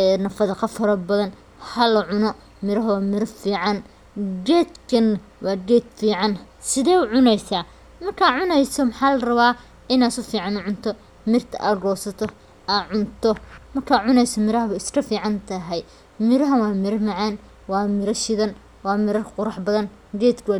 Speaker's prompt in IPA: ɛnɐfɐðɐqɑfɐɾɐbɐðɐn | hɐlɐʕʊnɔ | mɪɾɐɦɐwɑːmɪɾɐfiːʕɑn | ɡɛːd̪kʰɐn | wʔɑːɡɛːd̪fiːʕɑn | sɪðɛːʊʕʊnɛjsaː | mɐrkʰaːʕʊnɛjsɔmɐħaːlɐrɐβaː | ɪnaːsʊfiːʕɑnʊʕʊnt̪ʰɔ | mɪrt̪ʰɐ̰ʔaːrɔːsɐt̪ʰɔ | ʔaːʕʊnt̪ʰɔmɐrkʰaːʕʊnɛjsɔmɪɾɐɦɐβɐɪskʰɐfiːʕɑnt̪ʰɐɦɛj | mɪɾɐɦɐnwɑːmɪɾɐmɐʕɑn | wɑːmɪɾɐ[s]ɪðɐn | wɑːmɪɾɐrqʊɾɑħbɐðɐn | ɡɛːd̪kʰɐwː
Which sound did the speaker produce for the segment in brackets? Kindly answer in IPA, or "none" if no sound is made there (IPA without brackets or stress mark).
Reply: ʃ